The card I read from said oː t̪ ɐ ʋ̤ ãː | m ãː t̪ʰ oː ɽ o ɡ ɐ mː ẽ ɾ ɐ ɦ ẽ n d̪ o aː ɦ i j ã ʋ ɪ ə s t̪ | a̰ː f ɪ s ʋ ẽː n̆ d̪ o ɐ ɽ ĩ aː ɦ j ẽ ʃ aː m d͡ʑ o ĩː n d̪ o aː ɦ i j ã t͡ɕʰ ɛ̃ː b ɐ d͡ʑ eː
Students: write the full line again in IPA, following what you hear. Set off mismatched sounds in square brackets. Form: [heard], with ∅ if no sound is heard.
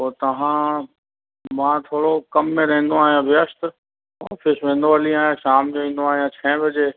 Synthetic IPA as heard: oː t̪ ɐ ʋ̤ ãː | m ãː t̪ʰ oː ɽ o [k] ɐ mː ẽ ɾ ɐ ɦ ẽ n d̪ o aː ɦ i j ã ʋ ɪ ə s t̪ | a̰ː f ɪ s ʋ ẽː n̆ d̪ o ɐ [l] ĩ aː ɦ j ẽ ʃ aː m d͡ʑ o ĩː n d̪ o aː ɦ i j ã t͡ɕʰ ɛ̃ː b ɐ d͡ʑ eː